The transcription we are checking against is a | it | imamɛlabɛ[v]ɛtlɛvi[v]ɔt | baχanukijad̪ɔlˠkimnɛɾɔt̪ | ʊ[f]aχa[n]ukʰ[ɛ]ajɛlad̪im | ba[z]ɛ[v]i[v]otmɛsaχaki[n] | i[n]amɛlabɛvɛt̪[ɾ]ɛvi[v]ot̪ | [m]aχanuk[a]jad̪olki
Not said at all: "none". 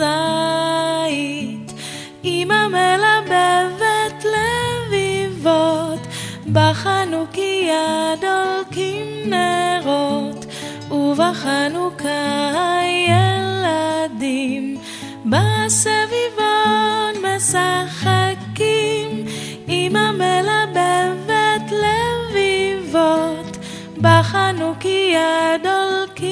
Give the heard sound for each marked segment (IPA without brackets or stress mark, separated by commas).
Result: v, v, v, n, a, s, v, v, m, m, l, v, b, i